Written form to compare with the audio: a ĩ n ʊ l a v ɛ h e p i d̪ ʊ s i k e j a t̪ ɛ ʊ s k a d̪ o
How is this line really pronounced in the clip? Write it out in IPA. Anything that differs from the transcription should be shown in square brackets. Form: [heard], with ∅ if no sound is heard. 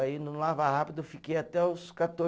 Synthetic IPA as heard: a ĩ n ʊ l a v [a] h [a] p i d̪ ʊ [f] i k e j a t̪ ɛ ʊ s k a [t̪] o